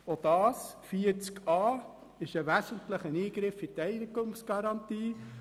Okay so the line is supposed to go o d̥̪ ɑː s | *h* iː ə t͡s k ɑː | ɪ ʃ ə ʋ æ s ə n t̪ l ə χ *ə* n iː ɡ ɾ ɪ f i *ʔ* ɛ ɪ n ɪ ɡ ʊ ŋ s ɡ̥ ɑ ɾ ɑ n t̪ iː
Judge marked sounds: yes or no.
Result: no, yes, no

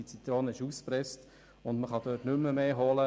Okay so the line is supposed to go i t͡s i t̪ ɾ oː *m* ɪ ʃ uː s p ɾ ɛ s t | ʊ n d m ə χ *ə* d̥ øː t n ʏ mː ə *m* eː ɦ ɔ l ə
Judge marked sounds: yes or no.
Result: no, no, yes

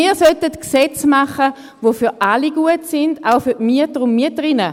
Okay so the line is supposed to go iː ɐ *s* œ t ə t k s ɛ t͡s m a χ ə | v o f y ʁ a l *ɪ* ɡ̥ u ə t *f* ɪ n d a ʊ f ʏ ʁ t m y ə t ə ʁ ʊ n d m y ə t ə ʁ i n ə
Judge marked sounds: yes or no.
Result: yes, no, no

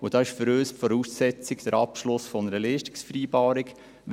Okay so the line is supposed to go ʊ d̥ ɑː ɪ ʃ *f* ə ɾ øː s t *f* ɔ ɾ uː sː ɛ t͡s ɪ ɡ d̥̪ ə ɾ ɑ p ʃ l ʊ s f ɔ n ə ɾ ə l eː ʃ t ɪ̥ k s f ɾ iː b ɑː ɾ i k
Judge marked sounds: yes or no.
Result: yes, yes

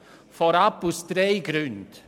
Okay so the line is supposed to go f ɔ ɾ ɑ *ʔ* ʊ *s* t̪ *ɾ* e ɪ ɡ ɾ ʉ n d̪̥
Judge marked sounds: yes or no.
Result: no, yes, yes

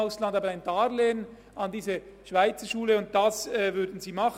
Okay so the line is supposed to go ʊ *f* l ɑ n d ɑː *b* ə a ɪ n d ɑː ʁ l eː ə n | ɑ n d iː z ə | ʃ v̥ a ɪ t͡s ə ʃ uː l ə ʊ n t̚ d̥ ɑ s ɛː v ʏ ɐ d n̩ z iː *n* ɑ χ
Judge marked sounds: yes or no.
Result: no, yes, no

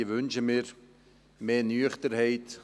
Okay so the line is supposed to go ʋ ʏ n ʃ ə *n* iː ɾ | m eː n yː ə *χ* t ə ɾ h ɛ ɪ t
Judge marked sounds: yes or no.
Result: no, yes

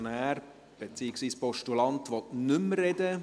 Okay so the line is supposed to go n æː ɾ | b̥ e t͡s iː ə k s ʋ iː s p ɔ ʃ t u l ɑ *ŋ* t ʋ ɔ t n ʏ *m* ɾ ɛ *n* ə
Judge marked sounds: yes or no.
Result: no, yes, no

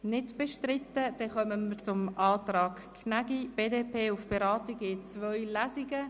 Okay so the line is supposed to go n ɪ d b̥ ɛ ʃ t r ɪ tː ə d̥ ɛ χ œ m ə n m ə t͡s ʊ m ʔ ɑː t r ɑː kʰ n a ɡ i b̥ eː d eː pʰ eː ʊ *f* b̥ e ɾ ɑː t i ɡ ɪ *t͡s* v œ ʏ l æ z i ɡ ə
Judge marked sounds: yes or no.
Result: yes, yes

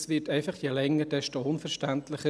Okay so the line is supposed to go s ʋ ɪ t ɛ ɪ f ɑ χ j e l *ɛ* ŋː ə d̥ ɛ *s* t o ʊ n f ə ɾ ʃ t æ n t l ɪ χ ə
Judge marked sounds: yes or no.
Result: yes, no

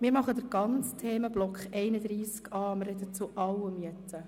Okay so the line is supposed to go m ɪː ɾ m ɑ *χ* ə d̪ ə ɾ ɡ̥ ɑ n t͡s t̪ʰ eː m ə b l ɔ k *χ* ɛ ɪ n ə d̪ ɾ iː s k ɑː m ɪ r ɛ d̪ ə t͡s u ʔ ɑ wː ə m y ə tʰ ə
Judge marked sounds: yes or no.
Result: yes, yes

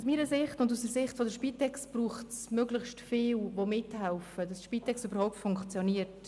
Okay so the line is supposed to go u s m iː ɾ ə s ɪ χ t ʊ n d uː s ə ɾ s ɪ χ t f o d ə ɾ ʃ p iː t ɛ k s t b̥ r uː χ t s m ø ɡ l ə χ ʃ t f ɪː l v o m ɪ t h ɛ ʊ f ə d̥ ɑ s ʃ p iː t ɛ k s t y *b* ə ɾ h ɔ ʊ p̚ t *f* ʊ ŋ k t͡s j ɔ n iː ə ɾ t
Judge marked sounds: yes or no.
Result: yes, yes

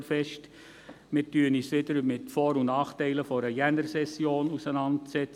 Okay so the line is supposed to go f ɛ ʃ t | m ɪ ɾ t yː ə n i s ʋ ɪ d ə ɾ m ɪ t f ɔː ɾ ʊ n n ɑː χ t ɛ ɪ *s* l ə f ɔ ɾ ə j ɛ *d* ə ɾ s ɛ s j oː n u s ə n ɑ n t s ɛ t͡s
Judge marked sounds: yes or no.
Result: no, no

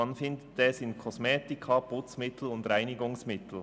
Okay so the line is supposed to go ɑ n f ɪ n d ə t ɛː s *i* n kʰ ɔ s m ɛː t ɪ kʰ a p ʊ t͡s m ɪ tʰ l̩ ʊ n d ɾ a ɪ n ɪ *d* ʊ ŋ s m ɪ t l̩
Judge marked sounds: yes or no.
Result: no, no

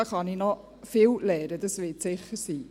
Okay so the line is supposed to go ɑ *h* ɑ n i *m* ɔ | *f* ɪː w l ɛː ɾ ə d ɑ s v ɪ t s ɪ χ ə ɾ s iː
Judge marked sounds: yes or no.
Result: no, no, yes

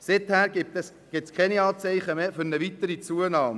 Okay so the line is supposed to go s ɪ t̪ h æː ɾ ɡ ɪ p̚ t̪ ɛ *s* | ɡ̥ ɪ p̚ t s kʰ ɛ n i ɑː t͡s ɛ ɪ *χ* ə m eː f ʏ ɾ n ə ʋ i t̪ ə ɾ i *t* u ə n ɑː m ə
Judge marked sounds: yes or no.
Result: yes, yes, no

